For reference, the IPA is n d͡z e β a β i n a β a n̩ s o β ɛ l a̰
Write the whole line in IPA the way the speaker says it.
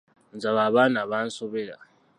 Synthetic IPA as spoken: n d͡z a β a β a n a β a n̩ s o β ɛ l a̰